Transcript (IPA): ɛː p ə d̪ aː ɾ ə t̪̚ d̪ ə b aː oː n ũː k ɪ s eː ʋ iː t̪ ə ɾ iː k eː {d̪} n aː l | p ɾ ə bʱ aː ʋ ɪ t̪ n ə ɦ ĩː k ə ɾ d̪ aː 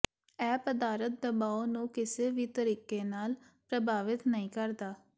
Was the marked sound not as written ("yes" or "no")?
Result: yes